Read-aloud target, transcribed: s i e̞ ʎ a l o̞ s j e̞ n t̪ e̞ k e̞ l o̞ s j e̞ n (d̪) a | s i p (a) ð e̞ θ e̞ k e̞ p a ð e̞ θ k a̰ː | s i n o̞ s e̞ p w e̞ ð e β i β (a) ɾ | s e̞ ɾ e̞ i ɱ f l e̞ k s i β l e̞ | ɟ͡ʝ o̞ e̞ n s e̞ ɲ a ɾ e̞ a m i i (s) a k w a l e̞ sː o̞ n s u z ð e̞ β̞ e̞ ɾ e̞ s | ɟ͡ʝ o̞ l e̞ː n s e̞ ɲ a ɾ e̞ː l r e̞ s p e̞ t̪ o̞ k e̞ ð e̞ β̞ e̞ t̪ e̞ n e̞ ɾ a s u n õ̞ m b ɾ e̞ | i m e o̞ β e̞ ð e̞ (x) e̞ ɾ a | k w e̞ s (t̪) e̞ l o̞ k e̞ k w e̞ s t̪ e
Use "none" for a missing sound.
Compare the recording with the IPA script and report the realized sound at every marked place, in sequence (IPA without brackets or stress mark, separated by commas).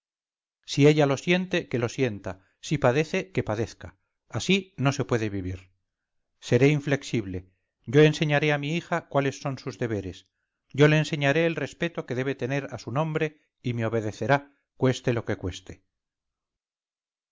t̪, a, i, x, θ, t̪